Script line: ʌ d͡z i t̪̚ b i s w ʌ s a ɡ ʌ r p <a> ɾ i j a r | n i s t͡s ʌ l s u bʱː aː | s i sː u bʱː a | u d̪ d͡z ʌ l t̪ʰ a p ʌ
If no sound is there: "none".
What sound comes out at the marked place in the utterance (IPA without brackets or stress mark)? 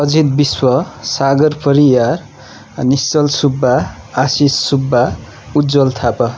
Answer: ʌ